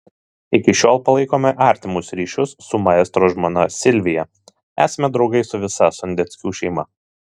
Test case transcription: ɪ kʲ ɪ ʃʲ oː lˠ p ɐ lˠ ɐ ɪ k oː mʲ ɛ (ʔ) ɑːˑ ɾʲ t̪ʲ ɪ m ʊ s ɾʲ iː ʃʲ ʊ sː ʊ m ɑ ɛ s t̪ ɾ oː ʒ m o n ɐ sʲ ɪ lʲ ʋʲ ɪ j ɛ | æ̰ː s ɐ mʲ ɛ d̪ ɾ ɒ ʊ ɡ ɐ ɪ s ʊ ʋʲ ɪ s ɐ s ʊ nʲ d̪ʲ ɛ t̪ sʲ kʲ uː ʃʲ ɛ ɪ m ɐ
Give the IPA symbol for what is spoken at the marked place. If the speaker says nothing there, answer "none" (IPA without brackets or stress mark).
ʔ